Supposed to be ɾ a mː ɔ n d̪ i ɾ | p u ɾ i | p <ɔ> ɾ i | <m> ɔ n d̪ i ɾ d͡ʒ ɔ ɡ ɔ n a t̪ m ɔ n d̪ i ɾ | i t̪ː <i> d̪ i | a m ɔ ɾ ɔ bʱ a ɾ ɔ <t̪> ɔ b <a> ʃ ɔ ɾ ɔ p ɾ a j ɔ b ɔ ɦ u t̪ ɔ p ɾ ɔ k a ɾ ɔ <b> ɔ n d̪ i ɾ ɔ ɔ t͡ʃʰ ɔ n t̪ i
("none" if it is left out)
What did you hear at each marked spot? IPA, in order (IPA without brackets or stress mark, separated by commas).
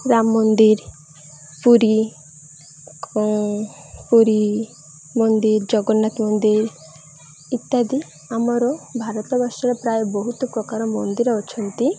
u, m, a, t̪, a, m